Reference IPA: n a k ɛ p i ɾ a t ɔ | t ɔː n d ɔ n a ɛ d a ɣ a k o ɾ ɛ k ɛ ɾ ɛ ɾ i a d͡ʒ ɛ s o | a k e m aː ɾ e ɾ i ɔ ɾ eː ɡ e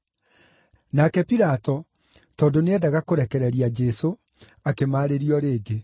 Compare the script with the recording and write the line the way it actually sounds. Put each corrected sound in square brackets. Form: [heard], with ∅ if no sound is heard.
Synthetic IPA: n a k ɛ p i ɾ a t ɔ | t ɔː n d [o] n [e] ɛ d a ɣ a k o ɾ ɛ k ɛ ɾ ɛ ɾ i a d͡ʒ ɛ s o | a k e m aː ɾ e ɾ i ɔ ɾ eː ɡ e